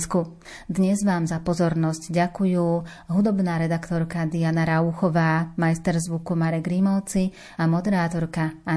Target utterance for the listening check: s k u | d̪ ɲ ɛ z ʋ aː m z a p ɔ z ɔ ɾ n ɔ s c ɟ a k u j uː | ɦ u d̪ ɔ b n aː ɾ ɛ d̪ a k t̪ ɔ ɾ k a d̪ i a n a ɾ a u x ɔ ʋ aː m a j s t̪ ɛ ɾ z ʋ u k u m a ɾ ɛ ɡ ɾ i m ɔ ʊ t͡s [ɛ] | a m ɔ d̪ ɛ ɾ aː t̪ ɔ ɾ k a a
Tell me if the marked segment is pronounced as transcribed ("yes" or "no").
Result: no